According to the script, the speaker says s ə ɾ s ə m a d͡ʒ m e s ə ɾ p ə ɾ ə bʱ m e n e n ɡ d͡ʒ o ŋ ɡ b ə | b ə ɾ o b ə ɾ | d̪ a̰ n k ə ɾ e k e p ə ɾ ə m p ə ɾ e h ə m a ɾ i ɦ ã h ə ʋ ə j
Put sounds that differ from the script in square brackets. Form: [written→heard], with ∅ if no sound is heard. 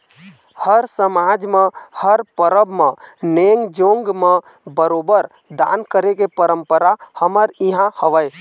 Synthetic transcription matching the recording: [s→h] ə ɾ s ə m a d͡ʒ m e [s→h] ə ɾ p ə ɾ ə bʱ m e n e [n→ŋ] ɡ d͡ʒ o ŋ ɡ [b→m] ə | b ə ɾ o b ə ɾ | d̪ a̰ n k ə ɾ e k e p ə ɾ ə m p ə ɾ [e→a] h ə m [a→ə] ɾ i ɦ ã h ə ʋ ə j

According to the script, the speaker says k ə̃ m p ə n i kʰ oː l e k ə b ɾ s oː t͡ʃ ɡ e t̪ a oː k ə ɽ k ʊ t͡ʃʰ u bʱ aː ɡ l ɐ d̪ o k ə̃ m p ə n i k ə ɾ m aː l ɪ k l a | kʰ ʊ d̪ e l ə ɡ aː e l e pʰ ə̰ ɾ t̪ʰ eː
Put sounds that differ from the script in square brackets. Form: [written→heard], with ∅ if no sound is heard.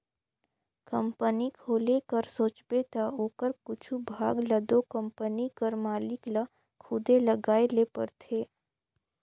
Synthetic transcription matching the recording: k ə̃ m p ə n i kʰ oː l e k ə [b→∅] ɾ s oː t͡ʃ [ɡ→b] e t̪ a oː k ə [ɽ→ɾ] k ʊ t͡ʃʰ u bʱ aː ɡ l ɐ d̪ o k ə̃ m p ə n i k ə ɾ m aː l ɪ k l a | kʰ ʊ d̪ e l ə ɡ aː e l e [pʰ→p] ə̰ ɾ t̪ʰ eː

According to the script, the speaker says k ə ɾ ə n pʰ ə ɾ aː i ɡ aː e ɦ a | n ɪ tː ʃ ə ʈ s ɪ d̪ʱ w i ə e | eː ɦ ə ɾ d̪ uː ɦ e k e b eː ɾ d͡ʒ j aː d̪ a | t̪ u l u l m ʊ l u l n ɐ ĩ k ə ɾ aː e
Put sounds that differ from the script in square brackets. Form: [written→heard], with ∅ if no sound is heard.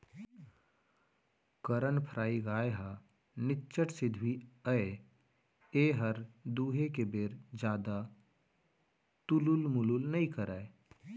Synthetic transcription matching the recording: k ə ɾ ə n pʰ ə ɾ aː i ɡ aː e ɦ a | n ɪ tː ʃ ə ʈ s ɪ d̪ʱ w i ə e | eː ɦ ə ɾ d̪ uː ɦ e k e b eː ɾ d͡ʒ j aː d̪ a | t̪ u l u l m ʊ l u l n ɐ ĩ k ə ɾ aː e

